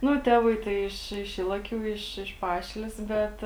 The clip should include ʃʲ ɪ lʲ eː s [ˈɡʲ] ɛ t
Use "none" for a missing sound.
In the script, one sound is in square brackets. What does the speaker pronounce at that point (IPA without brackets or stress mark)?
bʲ